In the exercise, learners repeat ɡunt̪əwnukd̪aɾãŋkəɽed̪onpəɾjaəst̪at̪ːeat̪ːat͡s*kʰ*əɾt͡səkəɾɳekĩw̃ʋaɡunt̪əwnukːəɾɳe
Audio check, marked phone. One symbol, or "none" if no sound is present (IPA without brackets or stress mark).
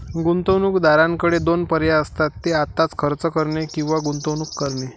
kʰ